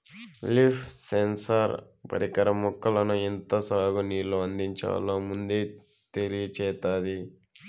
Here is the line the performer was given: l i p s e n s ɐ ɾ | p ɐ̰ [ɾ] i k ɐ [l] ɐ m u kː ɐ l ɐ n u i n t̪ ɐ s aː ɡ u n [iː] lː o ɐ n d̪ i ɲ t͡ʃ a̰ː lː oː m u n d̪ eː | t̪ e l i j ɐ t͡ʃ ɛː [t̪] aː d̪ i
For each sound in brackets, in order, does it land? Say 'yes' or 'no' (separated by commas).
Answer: yes, no, yes, yes